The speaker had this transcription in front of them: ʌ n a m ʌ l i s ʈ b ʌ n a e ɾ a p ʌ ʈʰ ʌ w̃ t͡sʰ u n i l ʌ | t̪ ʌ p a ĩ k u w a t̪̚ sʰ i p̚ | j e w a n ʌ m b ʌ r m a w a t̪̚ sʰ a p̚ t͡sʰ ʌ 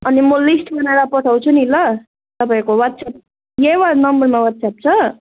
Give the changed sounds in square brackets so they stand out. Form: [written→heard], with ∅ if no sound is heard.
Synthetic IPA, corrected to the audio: ʌ n [a→i] m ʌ l i s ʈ b ʌ n a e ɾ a p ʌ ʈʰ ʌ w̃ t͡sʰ u n i l ʌ | t̪ ʌ p a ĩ k [u→o] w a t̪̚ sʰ [i→a] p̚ | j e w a n ʌ m b ʌ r m a w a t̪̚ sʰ a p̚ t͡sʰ ʌ